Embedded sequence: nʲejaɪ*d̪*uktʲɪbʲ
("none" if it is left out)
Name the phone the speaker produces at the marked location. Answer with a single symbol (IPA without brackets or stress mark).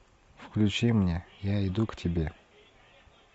d̪